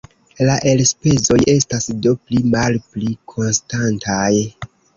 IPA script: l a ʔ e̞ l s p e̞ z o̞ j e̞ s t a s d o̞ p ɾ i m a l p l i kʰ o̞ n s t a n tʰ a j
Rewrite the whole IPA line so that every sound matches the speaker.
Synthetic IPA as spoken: l a ʔ e̞ l s p e̞ z o̞ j e̞ s t a s d o̞ p l i m a l p l i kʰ o̞ n s t a n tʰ a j